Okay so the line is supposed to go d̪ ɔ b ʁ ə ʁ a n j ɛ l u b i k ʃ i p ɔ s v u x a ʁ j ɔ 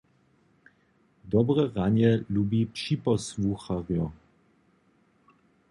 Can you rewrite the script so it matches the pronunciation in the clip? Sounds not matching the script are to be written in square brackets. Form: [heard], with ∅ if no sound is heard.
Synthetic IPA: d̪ ɔ b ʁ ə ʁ a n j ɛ l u b i [p] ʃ i p ɔ s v u x a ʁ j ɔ